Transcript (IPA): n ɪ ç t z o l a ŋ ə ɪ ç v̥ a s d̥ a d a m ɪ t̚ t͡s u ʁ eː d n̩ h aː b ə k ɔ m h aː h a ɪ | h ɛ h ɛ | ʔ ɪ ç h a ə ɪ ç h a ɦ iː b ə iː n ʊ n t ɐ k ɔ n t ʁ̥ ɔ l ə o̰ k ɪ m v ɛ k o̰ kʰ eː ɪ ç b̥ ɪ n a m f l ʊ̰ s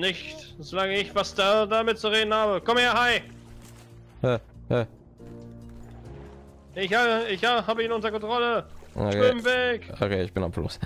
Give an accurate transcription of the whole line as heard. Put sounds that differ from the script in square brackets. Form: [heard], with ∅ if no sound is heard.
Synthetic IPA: n ɪ ç t z o l a ŋ ə ɪ ç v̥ a s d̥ a d a m ɪ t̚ t͡s u ʁ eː d n̩ h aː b ə k ɔ m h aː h a ɪ | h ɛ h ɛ | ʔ ɪ ç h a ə ɪ ç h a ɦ [aː] b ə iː n ʊ n t ɐ k ɔ n t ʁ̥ ɔ l ə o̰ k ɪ m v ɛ k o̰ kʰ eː ɪ ç b̥ ɪ n a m f l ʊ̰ s